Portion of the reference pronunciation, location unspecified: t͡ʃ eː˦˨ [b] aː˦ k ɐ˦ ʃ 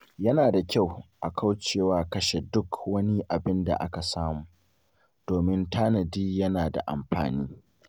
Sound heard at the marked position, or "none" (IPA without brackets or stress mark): w